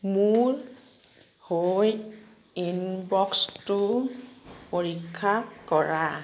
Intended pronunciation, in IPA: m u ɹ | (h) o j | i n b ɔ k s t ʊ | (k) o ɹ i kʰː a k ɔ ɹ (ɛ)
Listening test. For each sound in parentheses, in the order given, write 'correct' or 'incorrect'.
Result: correct, incorrect: p, incorrect: a

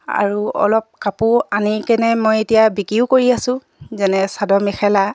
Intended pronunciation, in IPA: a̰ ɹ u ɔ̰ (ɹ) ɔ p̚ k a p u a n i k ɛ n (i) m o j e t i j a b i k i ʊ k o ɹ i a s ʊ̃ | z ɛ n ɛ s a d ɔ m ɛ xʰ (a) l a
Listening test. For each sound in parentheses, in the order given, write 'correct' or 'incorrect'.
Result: incorrect: l, incorrect: ɛ, incorrect: ɛ

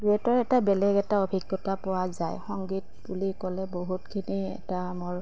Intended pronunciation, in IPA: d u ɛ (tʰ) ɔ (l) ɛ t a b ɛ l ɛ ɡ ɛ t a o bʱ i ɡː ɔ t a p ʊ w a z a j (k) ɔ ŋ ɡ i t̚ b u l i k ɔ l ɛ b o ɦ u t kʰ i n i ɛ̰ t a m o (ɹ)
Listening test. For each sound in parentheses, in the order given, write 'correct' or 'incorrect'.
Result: incorrect: t, incorrect: ɹ, incorrect: x, correct

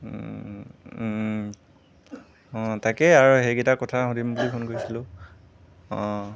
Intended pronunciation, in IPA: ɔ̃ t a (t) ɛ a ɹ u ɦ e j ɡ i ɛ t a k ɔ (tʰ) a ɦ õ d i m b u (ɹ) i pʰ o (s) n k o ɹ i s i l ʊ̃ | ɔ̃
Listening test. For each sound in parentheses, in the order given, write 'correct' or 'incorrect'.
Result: incorrect: k, correct, incorrect: l, incorrect: none

